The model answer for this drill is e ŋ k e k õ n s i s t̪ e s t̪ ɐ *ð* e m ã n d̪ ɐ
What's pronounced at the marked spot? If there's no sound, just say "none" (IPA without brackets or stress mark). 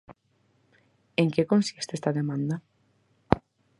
ð